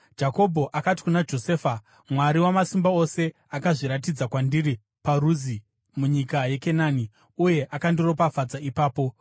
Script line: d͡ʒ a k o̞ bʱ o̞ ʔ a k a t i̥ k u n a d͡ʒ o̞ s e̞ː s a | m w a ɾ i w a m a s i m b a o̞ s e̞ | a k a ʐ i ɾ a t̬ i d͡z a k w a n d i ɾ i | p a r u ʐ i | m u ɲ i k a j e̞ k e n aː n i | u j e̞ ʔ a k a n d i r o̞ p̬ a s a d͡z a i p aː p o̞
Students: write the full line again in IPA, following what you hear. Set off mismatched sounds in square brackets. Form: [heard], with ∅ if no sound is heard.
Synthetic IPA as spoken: d͡ʒ a k o̞ bʱ o̞ ʔ a k a t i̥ k u n a d͡ʒ o̞ s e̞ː [f] a | m w a ɾ i w a m a s i m b a o̞ s e̞ | a k a ʐ i ɾ a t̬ i d͡z a k w a n d i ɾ i | p a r u [z] i | m u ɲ i k a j e̞ k e n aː n i | u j e̞ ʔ a k a n d i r o̞ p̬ a [f] a d͡z a i p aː p o̞

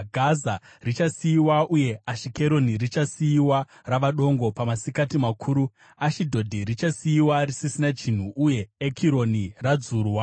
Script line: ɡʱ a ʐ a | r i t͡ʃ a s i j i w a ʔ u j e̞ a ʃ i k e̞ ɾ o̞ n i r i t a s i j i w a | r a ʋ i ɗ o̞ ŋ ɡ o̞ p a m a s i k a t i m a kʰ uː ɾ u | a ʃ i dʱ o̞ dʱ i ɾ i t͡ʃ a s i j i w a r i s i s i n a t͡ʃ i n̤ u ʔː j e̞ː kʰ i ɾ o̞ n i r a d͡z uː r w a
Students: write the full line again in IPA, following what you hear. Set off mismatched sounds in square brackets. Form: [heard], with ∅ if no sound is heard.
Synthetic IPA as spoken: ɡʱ a [z] a | r i t͡ʃ a s i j i w a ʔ u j e̞ a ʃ i k e̞ ɾ o̞ n i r i [t͡ʃ] a s i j i w a | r a ʋ [a] ɗ o̞ ŋ ɡ o̞ p a m a s i k a t i m a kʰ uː ɾ u | a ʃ i dʱ o̞ dʱ i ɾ i t͡ʃ a s i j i w a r i s i s i n a t͡ʃ i n̤ u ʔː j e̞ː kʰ i ɾ o̞ n i r a d͡z uː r w a

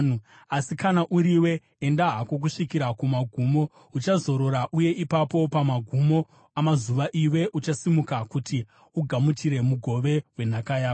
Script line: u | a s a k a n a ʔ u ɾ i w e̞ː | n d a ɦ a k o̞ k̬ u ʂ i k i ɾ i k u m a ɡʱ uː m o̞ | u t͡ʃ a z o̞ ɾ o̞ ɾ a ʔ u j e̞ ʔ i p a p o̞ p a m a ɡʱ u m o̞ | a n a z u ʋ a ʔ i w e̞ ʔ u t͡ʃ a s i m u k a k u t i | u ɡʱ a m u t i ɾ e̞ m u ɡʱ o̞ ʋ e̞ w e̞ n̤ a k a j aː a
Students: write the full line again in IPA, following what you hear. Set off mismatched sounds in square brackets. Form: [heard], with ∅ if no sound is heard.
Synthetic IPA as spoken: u | a s [i] k a n a ʔ u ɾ i w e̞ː | n d a ɦ a k o̞ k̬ u ʂ i k i ɾ [a] k u m a ɡʱ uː m o̞ | u t͡ʃ a z o̞ ɾ o̞ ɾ a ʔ u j e̞ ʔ i p a p o̞ p a m a ɡʱ u m o̞ | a [m] a z u ʋ a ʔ i w e̞ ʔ u t͡ʃ a s i m u k a k u t i | u ɡʱ a m u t i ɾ e̞ m u ɡʱ o̞ ʋ e̞ w e̞ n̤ a k a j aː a

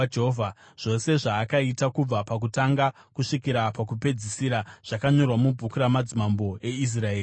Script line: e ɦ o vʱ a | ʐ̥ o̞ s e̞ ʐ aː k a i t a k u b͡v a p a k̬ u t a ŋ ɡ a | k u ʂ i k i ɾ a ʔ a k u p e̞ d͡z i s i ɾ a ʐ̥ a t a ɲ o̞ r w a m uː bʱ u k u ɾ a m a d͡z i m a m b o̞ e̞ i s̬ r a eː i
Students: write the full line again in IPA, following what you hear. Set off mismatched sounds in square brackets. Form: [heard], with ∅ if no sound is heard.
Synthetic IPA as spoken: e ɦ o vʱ a | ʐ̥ o̞ s e̞ ʐ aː k a i t a k u b͡v a p a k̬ u t a ŋ ɡ a | k u ʂ i k i ɾ a [p] a k u p e̞ d͡z i s i ɾ a ʐ̥ a [k] a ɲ o̞ r w a m [u] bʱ u k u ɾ a m a d͡z i m a m b o̞ e̞ i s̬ r a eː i

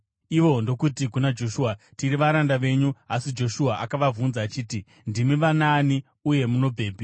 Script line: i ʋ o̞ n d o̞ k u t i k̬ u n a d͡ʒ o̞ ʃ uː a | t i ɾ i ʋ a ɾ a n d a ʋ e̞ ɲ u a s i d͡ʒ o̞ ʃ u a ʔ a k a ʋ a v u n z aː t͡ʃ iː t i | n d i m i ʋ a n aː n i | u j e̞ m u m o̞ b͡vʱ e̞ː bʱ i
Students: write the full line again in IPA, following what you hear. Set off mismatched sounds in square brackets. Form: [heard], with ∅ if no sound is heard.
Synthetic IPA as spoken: i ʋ o̞ n d o̞ k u t i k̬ u n a d͡ʒ o̞ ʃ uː a | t i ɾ i ʋ a ɾ a n d a ʋ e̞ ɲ u a s i d͡ʒ o̞ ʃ u a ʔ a k a ʋ a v u n z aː t͡ʃ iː t i | n d i m i ʋ a n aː n i | u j e̞ m u [n] o̞ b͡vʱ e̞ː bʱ i

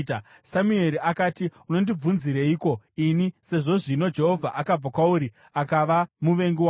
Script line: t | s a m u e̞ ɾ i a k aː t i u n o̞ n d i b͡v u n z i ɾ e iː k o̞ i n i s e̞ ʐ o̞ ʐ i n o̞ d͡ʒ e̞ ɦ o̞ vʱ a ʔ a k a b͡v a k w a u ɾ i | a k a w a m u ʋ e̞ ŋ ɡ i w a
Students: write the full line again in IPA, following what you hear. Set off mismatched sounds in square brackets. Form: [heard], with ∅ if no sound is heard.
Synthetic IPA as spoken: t | s a m u e̞ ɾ i a k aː t i u n o̞ n d i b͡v u n z i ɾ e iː k o̞ i n i s e̞ ʐ o̞ ʐ i n o̞ d͡ʒ e̞ ɦ o̞ vʱ a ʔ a k a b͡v a k w a u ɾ i | a k a [ʋ] a m u ʋ e̞ ŋ ɡ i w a

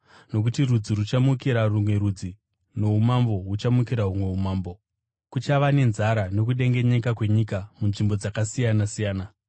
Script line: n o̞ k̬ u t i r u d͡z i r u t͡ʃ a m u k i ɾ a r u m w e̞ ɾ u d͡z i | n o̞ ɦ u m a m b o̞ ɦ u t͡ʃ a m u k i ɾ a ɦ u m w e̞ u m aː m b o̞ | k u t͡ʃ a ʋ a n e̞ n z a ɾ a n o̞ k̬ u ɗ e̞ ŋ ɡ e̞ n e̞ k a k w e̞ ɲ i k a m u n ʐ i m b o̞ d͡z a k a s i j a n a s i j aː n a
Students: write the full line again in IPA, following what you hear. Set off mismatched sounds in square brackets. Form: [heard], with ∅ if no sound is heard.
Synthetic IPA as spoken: n o̞ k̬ u t i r u d͡z i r u t͡ʃ a m u k i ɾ a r u m w e̞ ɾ u d͡z i | n o̞ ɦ u m a m b o̞ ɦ u t͡ʃ a m u k i ɾ a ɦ u m w e̞ u m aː m b o̞ | k u t͡ʃ a ʋ a n e̞ n z a ɾ a n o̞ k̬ u ɗ e̞ ŋ ɡ e̞ [ɲ] e̞ k a k w e̞ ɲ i k a m u n ʐ i m b o̞ d͡z a k a s i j a n a s i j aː n a

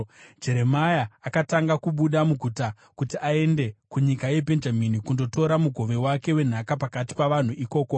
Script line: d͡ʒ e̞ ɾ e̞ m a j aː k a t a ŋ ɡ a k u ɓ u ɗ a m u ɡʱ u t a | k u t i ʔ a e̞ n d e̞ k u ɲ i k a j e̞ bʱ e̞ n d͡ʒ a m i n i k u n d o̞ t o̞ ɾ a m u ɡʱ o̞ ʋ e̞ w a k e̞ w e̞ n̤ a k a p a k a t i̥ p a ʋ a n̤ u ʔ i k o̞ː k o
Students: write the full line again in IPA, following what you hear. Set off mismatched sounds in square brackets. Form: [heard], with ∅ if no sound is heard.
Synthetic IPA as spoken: d͡ʒ e̞ ɾ e̞ m a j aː k a t a ŋ ɡ a k u ɓ u ɗ a m u ɡʱ u t a | k u t i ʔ a e̞ n d e̞ k u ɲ i k a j e̞ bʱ e̞ n d͡ʒ a m i n i k u n d o̞ t o̞ ɾ a m u ɡʱ o̞ ʋ e̞ w a k e̞ w e̞ n̤ a k a p a k a t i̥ p a ʋ a n̤ u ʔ i k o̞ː k o

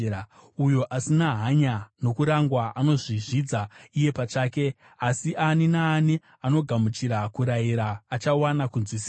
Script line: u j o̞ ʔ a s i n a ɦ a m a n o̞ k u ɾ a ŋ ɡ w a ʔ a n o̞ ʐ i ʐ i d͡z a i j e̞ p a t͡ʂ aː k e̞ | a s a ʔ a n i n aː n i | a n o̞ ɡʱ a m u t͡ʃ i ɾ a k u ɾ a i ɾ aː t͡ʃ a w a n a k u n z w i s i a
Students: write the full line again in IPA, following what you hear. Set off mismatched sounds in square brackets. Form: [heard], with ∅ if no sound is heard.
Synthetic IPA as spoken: u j o̞ ʔ a s i n a ɦ a [ɲ] a n o̞ k u ɾ a ŋ ɡ w a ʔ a n o̞ ʐ i ʐ i d͡z a i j e̞ p a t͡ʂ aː k e̞ | a s [i] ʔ a n i n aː n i | a n o̞ ɡʱ a m u t͡ʃ i ɾ a k u ɾ a i ɾ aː t͡ʃ a w a n a k u n z w i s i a

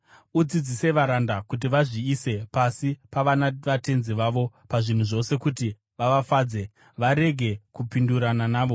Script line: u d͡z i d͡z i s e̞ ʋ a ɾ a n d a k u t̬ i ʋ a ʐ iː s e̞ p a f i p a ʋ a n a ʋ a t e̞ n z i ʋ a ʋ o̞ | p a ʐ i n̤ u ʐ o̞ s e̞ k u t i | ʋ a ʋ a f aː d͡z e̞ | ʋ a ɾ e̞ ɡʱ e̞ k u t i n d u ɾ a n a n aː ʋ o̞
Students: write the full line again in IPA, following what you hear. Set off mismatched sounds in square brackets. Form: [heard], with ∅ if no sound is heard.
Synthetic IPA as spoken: u d͡z i d͡z i s e̞ ʋ a ɾ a n d a k u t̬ i ʋ a ʐ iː s e̞ p a [s] i p a ʋ a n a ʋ a t e̞ n z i ʋ a ʋ o̞ | p a ʐ i n̤ u ʐ o̞ s e̞ k u t i | ʋ a ʋ a f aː d͡z e̞ | ʋ a ɾ e̞ ɡʱ e̞ k u [p] i n d u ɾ a n a n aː ʋ o̞

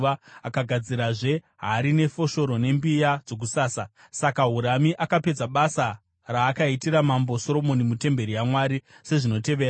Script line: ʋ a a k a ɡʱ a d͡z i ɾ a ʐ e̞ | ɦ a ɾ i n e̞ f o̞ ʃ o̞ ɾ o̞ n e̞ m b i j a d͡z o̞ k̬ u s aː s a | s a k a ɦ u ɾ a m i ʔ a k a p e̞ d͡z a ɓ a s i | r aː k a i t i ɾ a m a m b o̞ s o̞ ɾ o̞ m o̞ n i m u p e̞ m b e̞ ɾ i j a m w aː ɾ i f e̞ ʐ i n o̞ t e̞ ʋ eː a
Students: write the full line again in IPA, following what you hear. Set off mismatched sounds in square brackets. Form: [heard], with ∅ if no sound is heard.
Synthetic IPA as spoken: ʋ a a k a ɡʱ a d͡z i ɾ a ʐ e̞ | ɦ a ɾ i n e̞ f o̞ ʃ o̞ ɾ o̞ n e̞ m b i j a d͡z o̞ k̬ u s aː s a | s a k a ɦ u ɾ a m i ʔ a k a p e̞ d͡z a ɓ a s [a] | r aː k a i t i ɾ a m a m b o̞ s o̞ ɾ o̞ m o̞ n i m u [t] e̞ m b e̞ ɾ i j a m w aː ɾ i [s] e̞ ʐ i n o̞ t e̞ ʋ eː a

